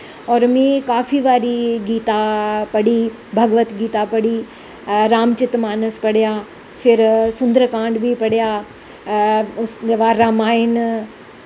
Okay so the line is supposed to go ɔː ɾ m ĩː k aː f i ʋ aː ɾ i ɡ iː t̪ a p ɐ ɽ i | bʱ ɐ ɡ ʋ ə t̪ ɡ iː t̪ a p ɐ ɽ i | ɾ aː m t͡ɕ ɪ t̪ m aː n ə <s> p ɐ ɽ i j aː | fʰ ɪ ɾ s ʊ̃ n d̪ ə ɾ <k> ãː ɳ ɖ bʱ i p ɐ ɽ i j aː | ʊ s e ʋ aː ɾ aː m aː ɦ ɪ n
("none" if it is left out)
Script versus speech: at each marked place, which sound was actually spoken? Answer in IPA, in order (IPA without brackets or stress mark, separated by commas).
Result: s, k